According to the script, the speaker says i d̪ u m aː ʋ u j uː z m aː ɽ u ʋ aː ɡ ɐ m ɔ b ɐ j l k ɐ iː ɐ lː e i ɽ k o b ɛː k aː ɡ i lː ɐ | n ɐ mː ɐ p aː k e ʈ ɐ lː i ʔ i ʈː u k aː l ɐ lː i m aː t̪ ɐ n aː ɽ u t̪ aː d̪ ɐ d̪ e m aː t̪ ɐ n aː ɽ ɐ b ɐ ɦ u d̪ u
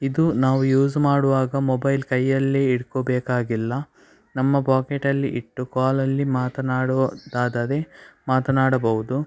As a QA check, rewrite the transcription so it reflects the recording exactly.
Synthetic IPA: i d̪ u n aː ʋ u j uː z m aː ɽ u ʋ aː ɡ ɐ m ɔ b ɐ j l k ɐ jː ɐ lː e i ɽ k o b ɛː k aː ɡ i lː ɐ | n ɐ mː ɐ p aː k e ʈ ɐ lː i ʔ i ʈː u k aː l ɐ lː i m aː t̪ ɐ n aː ɽ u d̪ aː d̪ ɐ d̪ e m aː t̪ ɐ n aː ɽ ɐ b ɐ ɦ u d̪ u